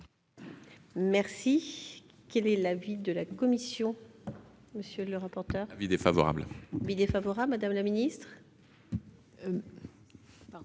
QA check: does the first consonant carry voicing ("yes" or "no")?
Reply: yes